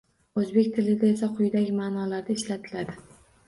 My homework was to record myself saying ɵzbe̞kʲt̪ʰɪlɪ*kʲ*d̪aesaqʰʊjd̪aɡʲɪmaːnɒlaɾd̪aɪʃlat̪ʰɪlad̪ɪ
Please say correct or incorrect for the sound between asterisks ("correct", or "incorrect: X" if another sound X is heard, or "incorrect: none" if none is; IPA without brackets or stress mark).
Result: incorrect: none